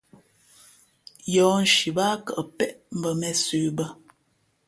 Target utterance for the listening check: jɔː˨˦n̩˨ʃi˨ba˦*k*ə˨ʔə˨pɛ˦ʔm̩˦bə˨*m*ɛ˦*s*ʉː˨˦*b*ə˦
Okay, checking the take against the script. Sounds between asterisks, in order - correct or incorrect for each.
correct, correct, correct, correct

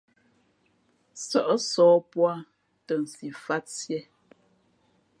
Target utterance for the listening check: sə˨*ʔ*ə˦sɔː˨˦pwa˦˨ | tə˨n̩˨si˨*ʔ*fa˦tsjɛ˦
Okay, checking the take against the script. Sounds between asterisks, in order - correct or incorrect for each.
correct, incorrect: none

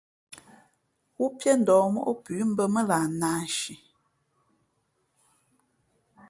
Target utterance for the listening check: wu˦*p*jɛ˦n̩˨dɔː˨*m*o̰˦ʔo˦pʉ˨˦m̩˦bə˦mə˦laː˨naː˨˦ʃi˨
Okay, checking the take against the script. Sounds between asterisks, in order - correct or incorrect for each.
correct, correct

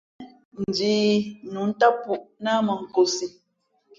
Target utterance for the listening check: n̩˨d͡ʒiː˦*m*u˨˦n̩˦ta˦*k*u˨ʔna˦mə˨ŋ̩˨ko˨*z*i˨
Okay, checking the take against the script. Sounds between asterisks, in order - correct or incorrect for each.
incorrect: n, incorrect: p, incorrect: s

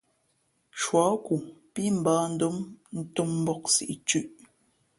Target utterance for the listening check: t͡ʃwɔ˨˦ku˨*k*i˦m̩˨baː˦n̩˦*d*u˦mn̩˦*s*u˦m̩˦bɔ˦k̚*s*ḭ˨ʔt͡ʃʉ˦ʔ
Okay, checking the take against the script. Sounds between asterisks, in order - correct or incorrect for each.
incorrect: p, correct, incorrect: t, correct

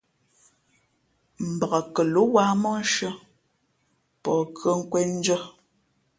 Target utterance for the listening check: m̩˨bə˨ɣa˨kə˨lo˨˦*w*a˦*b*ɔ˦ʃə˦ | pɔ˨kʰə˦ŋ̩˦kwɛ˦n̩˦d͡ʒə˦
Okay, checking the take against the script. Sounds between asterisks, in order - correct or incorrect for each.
correct, incorrect: m

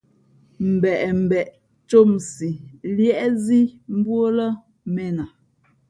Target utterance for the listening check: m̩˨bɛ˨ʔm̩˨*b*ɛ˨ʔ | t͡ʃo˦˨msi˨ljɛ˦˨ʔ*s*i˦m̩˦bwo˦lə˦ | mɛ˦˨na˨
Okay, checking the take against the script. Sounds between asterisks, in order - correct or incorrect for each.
correct, incorrect: z

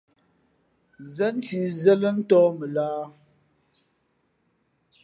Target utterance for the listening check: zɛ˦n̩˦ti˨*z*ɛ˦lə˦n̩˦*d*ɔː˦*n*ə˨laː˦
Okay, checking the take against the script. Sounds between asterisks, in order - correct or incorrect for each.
correct, incorrect: t, incorrect: m

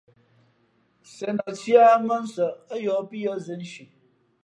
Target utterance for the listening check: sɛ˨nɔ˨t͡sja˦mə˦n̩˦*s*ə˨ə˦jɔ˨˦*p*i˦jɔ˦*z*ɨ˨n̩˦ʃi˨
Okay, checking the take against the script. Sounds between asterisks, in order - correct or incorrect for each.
correct, correct, correct

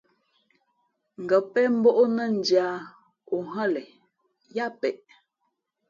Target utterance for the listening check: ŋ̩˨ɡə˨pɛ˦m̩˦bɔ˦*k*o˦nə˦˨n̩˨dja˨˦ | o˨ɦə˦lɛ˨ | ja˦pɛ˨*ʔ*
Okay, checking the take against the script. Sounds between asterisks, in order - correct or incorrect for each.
incorrect: ʔ, correct

